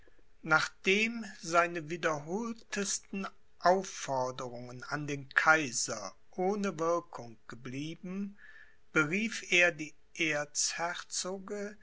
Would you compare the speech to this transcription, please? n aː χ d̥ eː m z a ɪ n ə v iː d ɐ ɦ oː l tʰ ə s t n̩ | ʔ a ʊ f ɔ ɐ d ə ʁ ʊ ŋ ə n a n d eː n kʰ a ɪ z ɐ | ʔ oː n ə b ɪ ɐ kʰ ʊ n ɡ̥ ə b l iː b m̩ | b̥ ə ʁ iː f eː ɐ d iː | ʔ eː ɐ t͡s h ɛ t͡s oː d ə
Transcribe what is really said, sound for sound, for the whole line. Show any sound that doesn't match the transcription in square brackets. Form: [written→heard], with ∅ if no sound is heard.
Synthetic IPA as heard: n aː χ d̥ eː m z a ɪ n ə v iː d ɐ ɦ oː l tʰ ə s t n̩ | ʔ a ʊ f ɔ ɐ d ə ʁ ʊ ŋ ə n a n d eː n kʰ a ɪ z ɐ | ʔ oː n ə [b→v] ɪ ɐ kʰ ʊ [n→ŋ] ɡ̥ ə b l iː b m̩ | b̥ ə ʁ iː f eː ɐ d iː | ʔ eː ɐ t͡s h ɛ t͡s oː [d→ɡ] ə